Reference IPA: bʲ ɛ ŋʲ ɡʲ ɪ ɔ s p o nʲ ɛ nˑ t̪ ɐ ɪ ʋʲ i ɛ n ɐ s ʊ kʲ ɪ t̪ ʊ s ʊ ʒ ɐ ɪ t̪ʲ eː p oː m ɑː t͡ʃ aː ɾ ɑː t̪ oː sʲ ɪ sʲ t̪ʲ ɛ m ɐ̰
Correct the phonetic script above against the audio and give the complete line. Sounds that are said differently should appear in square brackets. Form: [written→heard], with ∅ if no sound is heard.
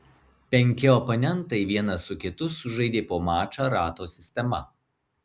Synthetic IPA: [bʲ→pʲ] ɛ ŋʲ [ɡʲ→kʲ] ɪ ɔ [s→∅] p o nʲ ɛ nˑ t̪ ɐ ɪ ʋʲ i ɛ n ɐ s ʊ kʲ ɪ t̪ ʊ s ʊ ʒ ɐ ɪ [t̪ʲ→d̪ʲ] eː p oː m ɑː t͡ʃ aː ɾ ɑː t̪ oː sʲ ɪ sʲ t̪ʲ ɛ m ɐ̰